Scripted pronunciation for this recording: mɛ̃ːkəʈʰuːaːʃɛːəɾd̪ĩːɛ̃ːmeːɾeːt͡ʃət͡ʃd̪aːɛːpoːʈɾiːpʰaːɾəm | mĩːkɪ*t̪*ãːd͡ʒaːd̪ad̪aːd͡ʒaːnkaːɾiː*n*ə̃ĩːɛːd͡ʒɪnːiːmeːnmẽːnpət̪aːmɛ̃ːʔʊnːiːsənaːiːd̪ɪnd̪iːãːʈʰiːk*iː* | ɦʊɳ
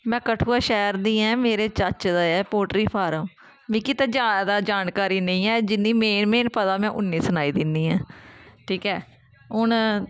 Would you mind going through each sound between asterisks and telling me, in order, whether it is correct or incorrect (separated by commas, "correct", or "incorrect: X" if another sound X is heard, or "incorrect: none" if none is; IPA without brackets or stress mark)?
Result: correct, correct, incorrect: ɛː